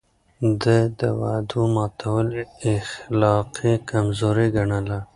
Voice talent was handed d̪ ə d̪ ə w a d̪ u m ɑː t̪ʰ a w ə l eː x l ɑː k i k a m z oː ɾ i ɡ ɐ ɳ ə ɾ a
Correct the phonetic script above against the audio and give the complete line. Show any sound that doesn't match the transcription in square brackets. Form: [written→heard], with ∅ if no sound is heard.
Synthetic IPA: d̪ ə d̪ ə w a d̪ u m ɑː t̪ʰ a w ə l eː x l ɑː [k→q] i k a m z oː ɾ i ɡ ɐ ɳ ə [ɾ→l] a